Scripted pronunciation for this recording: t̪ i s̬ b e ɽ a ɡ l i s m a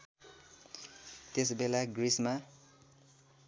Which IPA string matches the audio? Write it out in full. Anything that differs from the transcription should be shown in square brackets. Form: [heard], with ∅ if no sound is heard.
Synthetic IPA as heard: t̪ [e] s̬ b e [l] a ɡ [r] i s m a

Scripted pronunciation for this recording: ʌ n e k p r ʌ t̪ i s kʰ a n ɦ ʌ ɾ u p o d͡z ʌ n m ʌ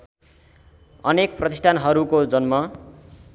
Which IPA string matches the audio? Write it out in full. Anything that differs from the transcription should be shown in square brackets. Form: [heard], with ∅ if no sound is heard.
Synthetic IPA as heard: ʌ n e k p r ʌ t̪ i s [ʈʰ] a n ɦ ʌ ɾ u [k] o d͡z ʌ n m ʌ

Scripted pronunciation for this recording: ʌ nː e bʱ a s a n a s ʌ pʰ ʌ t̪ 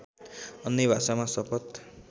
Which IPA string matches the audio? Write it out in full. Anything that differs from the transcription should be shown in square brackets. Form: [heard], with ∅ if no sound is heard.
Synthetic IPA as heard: ʌ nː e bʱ a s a [m] a s ʌ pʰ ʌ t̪

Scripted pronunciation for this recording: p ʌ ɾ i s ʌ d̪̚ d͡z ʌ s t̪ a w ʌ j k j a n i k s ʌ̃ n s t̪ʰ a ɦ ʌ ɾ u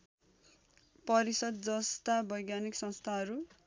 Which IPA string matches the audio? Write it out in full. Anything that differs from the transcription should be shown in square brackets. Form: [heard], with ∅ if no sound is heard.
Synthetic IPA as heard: p ʌ ɾ i s ʌ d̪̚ d͡z ʌ s t̪ a [b] ʌ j [ɡ] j a n i k s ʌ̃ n s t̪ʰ a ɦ ʌ ɾ u

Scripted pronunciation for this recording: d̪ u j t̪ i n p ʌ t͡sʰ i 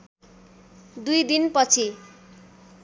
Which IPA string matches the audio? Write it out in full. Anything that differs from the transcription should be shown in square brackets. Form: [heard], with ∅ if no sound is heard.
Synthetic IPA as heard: d̪ u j [d̪] i n p ʌ t͡sʰ i

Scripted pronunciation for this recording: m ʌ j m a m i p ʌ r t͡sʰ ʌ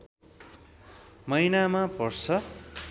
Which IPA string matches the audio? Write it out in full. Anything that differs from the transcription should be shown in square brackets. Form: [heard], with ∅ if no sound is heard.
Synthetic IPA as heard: m ʌ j [n] a m [a] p ʌ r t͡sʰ ʌ

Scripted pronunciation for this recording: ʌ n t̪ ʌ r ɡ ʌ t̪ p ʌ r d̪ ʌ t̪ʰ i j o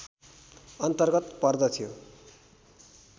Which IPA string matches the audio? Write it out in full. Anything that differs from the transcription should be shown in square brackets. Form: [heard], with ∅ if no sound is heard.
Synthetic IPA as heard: ʌ n t̪ ʌ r ɡ ʌ t̪ p ʌ r d̪ ʌ t̪ʰ i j o

